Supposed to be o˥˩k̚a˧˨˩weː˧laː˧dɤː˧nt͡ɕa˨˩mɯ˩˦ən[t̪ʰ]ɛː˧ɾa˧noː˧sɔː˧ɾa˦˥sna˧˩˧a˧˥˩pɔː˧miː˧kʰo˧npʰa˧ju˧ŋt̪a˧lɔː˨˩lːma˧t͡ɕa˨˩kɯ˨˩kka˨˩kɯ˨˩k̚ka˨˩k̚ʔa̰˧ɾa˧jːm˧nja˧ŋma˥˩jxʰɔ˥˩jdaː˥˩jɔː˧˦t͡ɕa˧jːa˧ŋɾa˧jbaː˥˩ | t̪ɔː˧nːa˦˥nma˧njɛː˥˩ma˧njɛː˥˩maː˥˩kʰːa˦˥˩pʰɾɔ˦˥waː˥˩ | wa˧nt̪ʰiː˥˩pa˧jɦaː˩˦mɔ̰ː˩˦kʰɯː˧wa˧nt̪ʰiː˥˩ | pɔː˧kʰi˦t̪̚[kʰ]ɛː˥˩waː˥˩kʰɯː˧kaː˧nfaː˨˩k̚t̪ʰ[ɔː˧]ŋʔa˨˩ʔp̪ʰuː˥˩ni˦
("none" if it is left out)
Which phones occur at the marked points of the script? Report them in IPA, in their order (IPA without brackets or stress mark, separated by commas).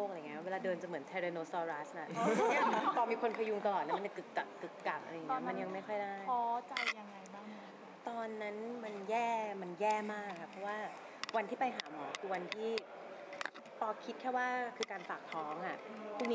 t̪ʰ, kʰ, ɔː˦˥